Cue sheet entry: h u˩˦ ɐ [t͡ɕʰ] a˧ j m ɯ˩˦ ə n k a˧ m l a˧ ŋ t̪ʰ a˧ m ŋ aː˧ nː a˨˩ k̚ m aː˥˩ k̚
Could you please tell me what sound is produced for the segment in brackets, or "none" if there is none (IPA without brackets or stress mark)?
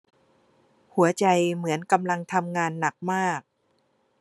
t͡ɕ